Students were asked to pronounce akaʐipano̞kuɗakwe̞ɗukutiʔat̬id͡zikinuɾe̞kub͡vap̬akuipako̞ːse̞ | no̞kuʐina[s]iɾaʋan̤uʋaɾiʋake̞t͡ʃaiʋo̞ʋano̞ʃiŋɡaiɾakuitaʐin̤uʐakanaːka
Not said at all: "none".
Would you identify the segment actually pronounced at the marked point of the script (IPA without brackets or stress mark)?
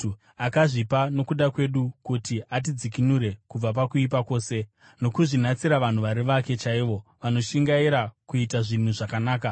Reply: t͡s